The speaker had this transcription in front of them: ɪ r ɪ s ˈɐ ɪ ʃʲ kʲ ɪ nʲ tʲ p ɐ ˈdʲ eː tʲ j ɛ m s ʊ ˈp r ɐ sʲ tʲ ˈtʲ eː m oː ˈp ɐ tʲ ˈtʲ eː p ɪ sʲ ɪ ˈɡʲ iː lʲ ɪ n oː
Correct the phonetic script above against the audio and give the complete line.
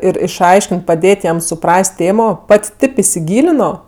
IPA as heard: ɪ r ɪ ʃ ˈɐ ɪ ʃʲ kʲ ɪ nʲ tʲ p ɐ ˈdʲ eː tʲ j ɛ m s ʊ ˈp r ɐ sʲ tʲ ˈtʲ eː m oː ˈp ɐ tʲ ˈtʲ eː p ɪ sʲ ɪ ˈɡʲ iː lʲ ɪ n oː